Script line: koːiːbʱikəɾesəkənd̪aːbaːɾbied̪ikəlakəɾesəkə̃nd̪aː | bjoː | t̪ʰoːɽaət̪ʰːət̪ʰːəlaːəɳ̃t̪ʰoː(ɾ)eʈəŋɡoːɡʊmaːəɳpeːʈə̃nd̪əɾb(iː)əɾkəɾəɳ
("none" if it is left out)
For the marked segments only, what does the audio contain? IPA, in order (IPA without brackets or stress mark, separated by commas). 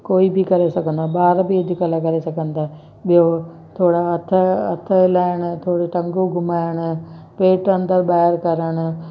ɽ, aː